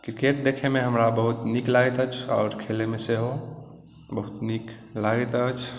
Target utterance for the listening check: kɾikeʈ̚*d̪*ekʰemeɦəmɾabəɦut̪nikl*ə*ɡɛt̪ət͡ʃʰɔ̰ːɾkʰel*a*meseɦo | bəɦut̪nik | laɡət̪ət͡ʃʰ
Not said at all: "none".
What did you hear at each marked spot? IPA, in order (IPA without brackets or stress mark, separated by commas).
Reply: d̪, a, e